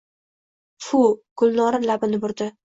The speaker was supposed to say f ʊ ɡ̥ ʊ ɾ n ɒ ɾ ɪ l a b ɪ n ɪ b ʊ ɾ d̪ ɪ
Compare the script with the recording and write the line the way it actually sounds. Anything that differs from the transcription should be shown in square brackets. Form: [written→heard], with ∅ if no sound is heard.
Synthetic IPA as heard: f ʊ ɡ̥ ʊ [ɾ→l] n ɒ ɾ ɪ l a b ɪ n ɪ b ʊ ɾ d̪ ɪ